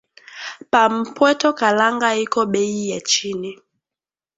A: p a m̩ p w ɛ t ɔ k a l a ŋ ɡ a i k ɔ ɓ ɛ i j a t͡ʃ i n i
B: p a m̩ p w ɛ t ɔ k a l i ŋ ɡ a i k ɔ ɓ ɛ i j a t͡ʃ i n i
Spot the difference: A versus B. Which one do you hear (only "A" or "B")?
A